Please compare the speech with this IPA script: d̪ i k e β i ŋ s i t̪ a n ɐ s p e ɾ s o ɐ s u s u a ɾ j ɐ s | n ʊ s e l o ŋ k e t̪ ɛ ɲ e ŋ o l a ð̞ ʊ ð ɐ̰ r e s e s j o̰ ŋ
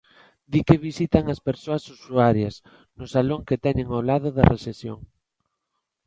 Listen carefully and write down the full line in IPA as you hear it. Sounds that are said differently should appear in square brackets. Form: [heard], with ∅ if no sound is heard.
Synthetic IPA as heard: d̪ i k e β i [∅] s i t̪ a [ŋ] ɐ s p e ɾ s o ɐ s u s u a ɾ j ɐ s | n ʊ s [a] l o ŋ k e t̪ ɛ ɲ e ŋ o l a ð̞ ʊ ð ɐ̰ r e s e s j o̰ ŋ